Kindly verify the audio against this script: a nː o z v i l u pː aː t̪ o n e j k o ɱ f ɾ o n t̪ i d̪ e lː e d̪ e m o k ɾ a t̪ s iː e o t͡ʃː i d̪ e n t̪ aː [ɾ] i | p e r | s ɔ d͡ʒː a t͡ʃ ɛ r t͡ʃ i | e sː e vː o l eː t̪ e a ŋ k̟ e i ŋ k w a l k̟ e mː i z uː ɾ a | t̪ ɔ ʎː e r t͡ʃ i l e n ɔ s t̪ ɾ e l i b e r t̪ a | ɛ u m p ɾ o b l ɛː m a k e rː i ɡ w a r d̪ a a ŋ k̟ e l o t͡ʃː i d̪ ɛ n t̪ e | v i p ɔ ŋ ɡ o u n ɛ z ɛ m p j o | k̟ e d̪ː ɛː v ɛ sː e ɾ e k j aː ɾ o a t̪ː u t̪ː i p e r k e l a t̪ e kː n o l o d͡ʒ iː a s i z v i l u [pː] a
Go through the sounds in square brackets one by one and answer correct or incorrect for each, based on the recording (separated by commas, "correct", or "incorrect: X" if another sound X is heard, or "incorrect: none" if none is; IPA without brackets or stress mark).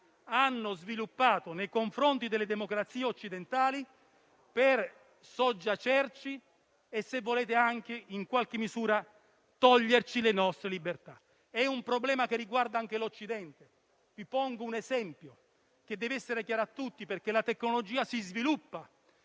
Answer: incorrect: l, correct